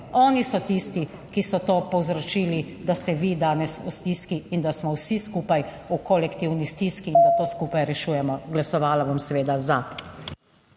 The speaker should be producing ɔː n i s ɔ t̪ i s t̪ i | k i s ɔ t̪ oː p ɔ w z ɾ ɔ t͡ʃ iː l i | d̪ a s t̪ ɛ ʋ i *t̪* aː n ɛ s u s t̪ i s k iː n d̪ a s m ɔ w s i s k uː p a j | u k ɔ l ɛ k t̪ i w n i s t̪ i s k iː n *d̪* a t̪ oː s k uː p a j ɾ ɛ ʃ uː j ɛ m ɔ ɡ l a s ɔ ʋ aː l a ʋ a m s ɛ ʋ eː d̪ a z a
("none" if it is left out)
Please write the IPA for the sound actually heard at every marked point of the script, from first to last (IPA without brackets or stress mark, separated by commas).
d̪, d̪